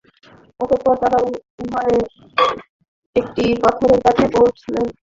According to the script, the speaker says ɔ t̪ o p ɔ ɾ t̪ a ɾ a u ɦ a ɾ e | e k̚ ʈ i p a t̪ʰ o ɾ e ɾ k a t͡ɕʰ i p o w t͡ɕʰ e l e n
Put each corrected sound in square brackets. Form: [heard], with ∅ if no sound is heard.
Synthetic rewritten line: ɔ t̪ o p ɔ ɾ t̪ a ɾ a u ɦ a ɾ e | e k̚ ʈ i p a t̪ʰ o ɾ e ɾ k a t͡ɕʰ [e] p o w t͡ɕʰ [i] l e n

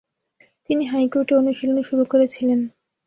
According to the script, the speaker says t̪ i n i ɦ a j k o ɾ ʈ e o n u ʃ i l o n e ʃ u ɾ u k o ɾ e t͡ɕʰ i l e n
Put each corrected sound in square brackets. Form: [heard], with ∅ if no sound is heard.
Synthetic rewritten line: t̪ i n i ɦ a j k o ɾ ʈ e o n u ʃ i l o n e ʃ u ɾ u k o ɾ e t͡ɕʰ i l e n

